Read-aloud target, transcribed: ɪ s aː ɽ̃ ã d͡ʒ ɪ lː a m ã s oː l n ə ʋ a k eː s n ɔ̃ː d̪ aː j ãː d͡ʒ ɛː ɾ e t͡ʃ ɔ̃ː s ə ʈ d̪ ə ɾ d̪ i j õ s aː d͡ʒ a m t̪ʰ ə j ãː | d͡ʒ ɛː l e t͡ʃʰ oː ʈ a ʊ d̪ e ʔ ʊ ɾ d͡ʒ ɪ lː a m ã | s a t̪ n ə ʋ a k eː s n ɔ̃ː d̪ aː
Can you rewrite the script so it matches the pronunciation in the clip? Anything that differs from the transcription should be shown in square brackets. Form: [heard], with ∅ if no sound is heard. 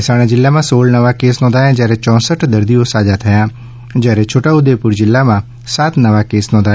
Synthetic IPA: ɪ s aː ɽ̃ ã d͡ʒ ɪ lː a m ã s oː l n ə ʋ a k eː s n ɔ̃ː d̪ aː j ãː d͡ʒ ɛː ɾ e t͡ʃ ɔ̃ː s ə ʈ d̪ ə ɾ d̪ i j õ s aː d͡ʒ a [∅] t̪ʰ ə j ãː | d͡ʒ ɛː [ɾ] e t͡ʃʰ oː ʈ a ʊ d̪ e [p] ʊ ɾ d͡ʒ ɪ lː a m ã | s a t̪ n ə ʋ a k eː s n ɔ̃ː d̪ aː